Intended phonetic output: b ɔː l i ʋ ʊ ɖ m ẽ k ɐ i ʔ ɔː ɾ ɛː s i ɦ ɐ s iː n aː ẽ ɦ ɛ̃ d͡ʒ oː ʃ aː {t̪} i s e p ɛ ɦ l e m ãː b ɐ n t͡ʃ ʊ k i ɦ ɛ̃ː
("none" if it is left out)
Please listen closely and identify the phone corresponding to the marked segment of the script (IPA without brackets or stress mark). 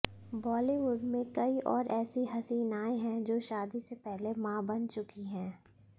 d̪